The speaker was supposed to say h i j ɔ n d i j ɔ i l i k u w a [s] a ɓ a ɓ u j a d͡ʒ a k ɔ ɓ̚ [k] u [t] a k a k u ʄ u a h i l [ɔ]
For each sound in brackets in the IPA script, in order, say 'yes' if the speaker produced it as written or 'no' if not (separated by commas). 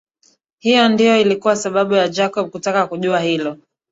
yes, yes, yes, yes